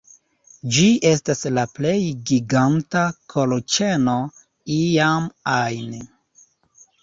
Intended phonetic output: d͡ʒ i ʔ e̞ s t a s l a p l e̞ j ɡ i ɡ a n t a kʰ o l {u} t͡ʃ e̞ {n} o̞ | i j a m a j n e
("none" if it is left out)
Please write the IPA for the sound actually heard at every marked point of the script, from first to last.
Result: o, n

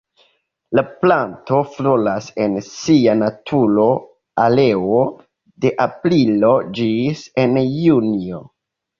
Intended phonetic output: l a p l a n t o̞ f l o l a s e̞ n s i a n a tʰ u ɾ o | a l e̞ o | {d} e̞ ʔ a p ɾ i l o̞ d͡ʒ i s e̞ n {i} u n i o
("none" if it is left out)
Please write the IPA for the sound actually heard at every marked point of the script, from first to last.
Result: d, j

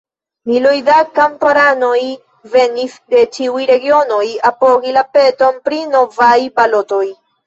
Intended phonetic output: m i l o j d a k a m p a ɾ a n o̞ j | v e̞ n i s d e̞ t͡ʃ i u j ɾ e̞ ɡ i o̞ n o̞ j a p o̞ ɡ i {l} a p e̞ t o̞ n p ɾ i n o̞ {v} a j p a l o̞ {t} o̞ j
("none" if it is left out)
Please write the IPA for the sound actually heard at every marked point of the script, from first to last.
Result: l, v, t

